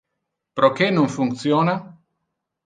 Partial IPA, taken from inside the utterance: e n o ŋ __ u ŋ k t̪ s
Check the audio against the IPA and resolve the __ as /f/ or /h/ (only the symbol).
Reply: f